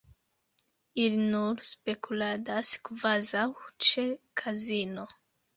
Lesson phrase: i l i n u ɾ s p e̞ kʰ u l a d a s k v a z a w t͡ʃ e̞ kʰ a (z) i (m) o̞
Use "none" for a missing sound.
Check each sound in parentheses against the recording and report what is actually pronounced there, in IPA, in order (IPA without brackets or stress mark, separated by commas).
z, n